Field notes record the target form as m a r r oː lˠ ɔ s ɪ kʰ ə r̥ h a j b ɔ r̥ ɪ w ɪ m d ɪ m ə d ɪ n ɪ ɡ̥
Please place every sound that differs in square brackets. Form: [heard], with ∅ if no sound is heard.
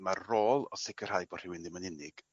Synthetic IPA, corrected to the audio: m a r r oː lˠ ɔ s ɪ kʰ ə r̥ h a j b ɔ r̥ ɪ w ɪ [n] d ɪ m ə [n] ɪ n ɪ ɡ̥